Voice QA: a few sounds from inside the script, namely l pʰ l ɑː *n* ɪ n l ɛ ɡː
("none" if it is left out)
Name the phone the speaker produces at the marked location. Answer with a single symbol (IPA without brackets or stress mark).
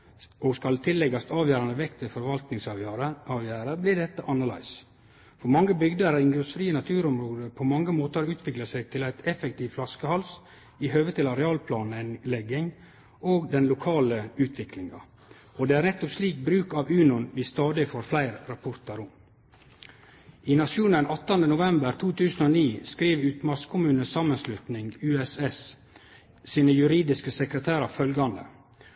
n